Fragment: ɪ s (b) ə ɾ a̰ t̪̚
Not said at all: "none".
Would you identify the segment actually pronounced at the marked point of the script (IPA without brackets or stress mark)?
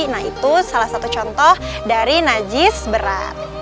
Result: b